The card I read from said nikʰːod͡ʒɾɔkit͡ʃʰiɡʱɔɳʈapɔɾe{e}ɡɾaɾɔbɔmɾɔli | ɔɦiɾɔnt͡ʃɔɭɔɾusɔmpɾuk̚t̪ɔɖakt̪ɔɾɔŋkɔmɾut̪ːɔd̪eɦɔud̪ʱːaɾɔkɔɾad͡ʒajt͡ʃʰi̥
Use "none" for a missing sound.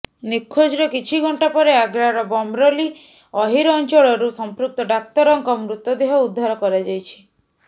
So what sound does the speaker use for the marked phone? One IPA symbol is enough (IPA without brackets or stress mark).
a